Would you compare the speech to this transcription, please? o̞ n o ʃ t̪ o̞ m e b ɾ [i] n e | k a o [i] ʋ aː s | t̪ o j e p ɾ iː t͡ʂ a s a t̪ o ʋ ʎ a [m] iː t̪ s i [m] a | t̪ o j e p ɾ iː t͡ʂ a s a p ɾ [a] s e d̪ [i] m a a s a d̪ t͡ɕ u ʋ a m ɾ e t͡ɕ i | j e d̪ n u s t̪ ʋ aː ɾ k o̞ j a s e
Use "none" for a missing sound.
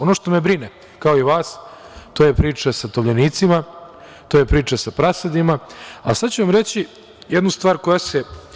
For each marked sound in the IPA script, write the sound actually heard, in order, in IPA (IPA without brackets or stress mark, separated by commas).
i, i, n, m, a, i